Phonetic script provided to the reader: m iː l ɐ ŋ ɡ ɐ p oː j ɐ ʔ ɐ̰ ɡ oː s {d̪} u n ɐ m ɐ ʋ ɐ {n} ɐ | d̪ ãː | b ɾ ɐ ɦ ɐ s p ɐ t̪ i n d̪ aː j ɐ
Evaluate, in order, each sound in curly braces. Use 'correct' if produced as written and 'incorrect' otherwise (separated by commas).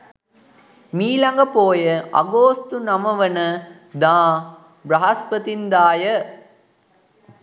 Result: incorrect, correct